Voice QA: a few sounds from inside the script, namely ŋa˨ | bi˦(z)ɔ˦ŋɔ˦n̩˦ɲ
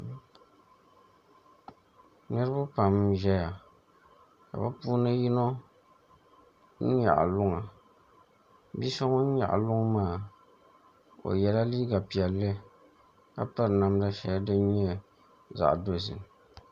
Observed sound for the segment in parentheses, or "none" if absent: s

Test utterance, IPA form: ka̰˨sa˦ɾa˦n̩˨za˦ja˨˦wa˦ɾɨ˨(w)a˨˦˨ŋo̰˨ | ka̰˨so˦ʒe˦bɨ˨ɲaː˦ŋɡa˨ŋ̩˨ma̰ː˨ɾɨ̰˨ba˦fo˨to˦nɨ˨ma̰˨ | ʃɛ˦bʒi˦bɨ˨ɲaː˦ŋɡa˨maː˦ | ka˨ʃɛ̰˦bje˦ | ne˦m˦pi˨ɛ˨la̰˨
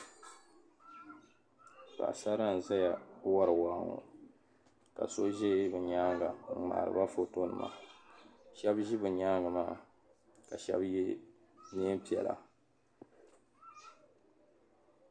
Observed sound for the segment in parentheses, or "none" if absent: w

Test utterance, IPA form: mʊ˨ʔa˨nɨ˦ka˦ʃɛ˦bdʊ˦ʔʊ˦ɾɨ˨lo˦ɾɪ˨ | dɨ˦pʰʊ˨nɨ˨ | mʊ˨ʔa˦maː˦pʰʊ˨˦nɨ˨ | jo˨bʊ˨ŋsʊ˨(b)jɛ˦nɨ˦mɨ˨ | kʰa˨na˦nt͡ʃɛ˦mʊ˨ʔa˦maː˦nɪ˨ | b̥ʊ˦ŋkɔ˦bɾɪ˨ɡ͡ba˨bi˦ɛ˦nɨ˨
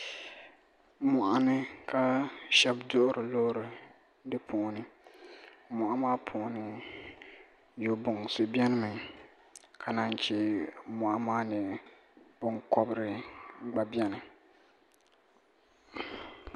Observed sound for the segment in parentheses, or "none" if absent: b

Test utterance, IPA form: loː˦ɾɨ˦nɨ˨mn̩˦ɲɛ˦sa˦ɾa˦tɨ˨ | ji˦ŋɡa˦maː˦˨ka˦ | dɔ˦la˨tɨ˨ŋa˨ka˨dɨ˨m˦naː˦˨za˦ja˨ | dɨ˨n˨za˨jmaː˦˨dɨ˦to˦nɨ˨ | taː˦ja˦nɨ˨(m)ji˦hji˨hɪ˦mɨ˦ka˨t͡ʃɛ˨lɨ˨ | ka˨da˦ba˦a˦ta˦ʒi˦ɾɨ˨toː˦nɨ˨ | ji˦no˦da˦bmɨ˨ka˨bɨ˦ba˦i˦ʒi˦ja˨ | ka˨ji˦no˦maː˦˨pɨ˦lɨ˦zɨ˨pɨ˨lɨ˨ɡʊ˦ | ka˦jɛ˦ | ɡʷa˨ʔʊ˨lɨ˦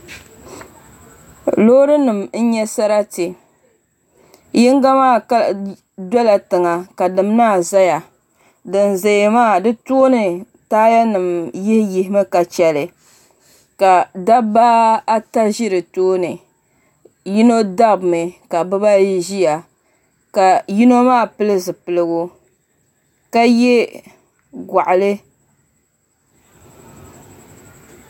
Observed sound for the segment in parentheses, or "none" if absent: m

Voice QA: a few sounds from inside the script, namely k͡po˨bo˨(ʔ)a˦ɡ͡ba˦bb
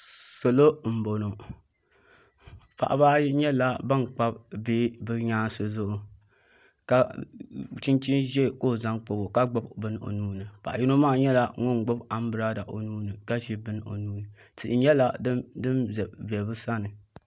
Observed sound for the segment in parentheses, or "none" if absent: k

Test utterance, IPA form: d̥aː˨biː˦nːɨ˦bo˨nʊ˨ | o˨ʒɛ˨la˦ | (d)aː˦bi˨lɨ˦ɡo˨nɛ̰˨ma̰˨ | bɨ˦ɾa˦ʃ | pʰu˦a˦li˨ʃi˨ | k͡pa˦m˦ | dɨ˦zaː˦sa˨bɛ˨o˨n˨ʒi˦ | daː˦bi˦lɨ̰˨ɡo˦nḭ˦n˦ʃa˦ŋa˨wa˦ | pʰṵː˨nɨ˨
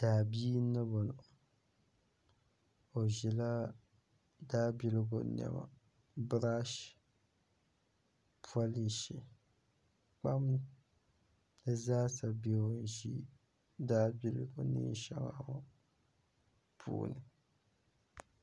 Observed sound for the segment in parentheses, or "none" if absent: d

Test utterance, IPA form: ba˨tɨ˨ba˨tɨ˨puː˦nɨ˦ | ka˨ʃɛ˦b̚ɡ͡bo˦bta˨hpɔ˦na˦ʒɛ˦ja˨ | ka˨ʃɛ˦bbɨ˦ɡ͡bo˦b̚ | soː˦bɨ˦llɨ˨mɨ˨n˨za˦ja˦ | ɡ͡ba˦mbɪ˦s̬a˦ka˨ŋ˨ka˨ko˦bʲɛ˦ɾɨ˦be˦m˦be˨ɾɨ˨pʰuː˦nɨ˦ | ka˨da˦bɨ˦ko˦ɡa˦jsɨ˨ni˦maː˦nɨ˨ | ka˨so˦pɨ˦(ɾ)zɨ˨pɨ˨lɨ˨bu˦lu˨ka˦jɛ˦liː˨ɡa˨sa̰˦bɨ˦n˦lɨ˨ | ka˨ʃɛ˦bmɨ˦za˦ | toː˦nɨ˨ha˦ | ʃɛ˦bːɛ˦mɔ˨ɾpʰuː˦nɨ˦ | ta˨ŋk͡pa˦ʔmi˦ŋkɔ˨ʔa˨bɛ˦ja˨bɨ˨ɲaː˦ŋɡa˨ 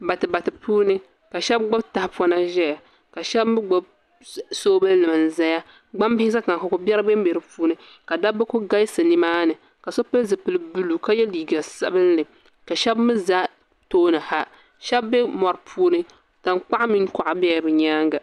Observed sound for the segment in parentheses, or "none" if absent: l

